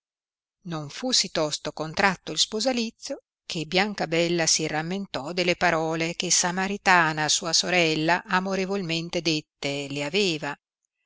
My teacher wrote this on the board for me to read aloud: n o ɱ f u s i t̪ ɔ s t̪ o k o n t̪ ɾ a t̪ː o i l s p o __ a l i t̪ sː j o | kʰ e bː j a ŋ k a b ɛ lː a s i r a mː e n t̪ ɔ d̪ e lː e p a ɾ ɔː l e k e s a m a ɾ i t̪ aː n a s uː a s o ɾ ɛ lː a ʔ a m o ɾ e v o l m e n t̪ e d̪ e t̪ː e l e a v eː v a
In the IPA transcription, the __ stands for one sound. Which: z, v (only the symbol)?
z